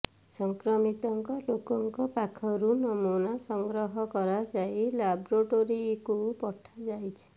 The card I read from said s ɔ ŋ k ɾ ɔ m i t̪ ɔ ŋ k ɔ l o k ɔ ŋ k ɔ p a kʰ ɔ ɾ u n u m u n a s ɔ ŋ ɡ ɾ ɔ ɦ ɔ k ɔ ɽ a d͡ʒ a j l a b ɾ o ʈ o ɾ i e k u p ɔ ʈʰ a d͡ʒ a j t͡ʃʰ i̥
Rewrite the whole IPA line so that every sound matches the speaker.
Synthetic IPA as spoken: s ɔ ŋ k ɾ ɔ m i t̪ ɔ ŋ k ɔ l o k ɔ ŋ k ɔ p a kʰ ɔ ɾ u n ɔ m u n a s ɔ ŋ ɡ ɾ ɔ ɦ ɔ k ɔ ɾ a d͡ʒ a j l a b ɾ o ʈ o ɾ i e k u p ɔ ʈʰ a d͡ʒ a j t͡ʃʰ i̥

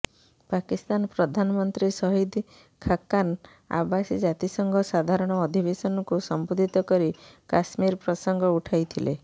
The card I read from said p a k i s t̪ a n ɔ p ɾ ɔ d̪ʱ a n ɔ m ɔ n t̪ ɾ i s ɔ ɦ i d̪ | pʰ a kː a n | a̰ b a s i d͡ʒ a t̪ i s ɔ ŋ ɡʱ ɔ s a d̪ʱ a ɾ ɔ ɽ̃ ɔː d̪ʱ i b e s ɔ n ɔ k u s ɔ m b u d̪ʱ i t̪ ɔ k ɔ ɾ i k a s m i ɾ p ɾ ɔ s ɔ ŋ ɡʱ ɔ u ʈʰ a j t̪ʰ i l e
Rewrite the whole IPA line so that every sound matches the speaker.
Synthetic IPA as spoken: p a k i s t̪ a n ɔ p ɾ ɔ d̪ʱ a n ɔ m ɔ n t̪ ɾ i s ɔ ɦ i d̪ | kʰ a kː a n | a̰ b a s i d͡ʒ a t̪ i s ɔ ŋ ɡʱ ɔ s a d̪ʱ a ɾ ɔ ɽ̃ ɔː d̪ʱ i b e s ɔ n ɔ k u s ɔ m b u d̪ʱ i t̪ ɔ k ɔ ɾ i k a s m i ɾ p ɾ ɔ s ɔ ŋ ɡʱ ɔ u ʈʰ a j t̪ʰ i l e

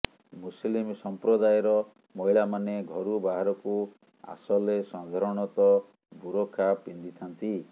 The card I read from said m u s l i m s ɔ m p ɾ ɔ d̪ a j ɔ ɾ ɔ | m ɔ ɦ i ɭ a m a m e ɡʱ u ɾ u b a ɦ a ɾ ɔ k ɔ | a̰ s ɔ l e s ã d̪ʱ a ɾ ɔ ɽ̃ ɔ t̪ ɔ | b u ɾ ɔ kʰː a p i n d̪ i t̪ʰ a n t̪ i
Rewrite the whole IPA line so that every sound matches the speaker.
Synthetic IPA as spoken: m u s l i m s ɔ m p ɾ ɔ d̪ a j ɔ ɾ ɔ | m ɔ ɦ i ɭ a m a n e ɡʱ ɔ ɾ u b a ɦ a ɾ ɔ k u | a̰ s ɔ l e s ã d̪ʱ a ɾ ɔ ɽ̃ ɔ t̪ ɔ | b u ɾ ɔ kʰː a p i n d̪ i t̪ʰ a n t̪ i

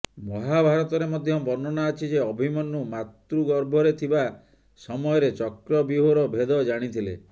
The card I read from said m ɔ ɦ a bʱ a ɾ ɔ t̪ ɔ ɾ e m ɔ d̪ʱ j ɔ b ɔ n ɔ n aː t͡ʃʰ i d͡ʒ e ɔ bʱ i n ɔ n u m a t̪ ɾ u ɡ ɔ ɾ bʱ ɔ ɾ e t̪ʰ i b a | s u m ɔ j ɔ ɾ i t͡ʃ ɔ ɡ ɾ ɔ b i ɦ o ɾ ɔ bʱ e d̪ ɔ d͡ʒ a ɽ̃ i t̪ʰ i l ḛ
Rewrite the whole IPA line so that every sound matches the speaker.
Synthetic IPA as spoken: m ɔ ɦ a bʱ a ɾ ɔ t̪ ɔ ɾ e m ɔ d̪ʱ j ɔ b ɔ n ɔ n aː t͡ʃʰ i d͡ʒ e ɔ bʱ i m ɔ n u m a t̪ ɾ u ɡ ɔ ɾ bʱ ɔ ɾ e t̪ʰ i b a | s ɔ m ɔ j ɔ ɾ e t͡ʃ ɔ k ɾ ɔ b i ɦ o ɾ ɔ bʱ e d̪ ɔ d͡ʒ a ɽ̃ i t̪ʰ i l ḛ

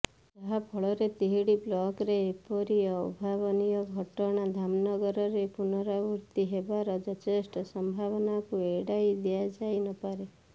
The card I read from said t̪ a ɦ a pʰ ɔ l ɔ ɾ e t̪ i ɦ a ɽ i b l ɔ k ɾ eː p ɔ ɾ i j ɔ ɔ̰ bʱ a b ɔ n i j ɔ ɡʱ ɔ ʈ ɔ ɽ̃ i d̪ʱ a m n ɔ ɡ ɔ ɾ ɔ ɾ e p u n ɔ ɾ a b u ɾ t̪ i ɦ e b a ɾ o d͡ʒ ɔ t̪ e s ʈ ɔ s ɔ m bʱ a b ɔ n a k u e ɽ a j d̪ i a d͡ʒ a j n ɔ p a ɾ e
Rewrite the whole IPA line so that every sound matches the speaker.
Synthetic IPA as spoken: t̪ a ɦ a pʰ ɔ ɭ ɔ ɾ e t̪ i ɦ i ɽ i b l ɔ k ɾ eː p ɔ ɾ i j ɔ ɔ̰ bʱ a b ɔ n i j ɔ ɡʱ ɔ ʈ ɔ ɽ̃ a d̪ʱ a m n ɔ ɡ ɔ ɾ ɔ ɾ e p u n ɔ ɾ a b u ɾ t̪ i ɦ e b a ɾ ɔ d͡ʒ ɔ t̪ e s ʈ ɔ s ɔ m bʱ a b ɔ n a k u e ɽ a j d̪ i a d͡ʒ a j n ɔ p a ɾ e

